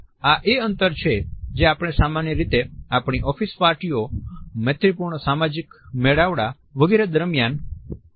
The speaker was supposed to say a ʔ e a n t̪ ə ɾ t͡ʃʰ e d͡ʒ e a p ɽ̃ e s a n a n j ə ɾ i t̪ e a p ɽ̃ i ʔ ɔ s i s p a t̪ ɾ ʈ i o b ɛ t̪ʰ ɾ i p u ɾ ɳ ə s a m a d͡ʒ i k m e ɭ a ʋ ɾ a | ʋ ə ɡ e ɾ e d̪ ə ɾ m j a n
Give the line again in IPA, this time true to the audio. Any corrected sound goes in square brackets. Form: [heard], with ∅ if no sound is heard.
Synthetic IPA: a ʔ e [ə] n t̪ ə ɾ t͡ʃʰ e d͡ʒ e a p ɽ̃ e s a [m] a n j ə ɾ i t̪ e a p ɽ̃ i ʔ ɔ [f] i s p a [∅] ɾ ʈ i o [m] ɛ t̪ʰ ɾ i p u ɾ ɳ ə s a m a d͡ʒ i k m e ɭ a ʋ [ɽ] a | ʋ ə ɡ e ɾ e d̪ ə ɾ m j a n